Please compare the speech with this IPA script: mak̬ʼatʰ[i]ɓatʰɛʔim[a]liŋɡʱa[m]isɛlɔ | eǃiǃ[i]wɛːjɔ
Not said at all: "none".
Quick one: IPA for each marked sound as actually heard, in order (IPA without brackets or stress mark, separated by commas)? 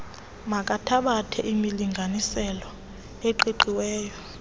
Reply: a, i, n, i